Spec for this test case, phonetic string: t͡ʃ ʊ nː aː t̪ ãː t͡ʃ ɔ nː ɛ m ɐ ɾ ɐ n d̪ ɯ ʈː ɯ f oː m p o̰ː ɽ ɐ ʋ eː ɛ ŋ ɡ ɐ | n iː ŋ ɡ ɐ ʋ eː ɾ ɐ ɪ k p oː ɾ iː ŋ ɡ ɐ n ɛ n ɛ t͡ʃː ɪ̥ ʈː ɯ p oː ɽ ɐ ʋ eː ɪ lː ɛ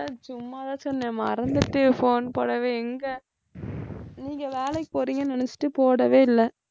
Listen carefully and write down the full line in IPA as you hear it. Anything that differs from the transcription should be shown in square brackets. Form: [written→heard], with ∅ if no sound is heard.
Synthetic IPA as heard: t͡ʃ ʊ [nː→mː] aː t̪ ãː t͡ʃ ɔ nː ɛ m ɐ ɾ ɐ n d̪ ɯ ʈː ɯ f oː [m→n] p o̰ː ɽ ɐ ʋ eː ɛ ŋ ɡ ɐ | n iː ŋ ɡ ɐ ʋ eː [ɾ→l] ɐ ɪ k p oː ɾ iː ŋ ɡ ɐ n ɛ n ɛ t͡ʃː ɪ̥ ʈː ɯ p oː ɽ ɐ ʋ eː ɪ lː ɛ

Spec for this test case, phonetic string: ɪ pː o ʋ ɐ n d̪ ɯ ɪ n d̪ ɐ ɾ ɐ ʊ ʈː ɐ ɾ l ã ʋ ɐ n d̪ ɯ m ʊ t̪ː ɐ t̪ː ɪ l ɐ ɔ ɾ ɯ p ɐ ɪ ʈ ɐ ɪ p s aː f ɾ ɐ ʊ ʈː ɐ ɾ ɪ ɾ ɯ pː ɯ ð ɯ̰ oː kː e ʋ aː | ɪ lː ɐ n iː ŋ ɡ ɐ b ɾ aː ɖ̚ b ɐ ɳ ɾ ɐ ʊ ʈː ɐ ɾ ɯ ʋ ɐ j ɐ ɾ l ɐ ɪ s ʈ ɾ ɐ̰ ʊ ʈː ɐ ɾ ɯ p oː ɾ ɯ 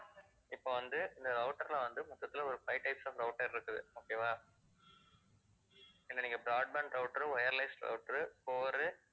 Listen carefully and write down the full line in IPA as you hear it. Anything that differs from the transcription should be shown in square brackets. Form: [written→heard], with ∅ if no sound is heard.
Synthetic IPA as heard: ɪ pː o ʋ ɐ n d̪ ɯ ɪ n d̪ ɐ ɾ ɐ ʊ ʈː ɐ ɾ l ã ʋ ɐ n d̪ ɯ m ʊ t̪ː ɐ t̪ː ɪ l ɐ ɔ ɾ ɯ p ɐ ɪ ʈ ɐ ɪ p s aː f ɾ ɐ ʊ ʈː ɐ ɾ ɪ ɾ ɯ [pː→kː] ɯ ð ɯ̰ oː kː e ʋ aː | ɪ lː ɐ n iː ŋ ɡ ɐ b ɾ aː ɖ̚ b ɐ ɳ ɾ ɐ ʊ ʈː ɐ ɾ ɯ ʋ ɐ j ɐ ɾ l ɐ ɪ s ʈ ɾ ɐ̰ ʊ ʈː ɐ ɾ ɯ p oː ɾ ɯ

